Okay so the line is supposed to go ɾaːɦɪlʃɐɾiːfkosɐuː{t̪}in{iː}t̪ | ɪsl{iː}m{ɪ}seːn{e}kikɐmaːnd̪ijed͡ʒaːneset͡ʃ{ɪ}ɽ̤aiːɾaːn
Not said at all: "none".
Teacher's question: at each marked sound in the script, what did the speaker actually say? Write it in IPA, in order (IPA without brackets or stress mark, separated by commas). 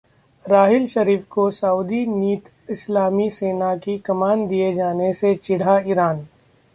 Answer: d̪, iː, aː, i, a, ɪ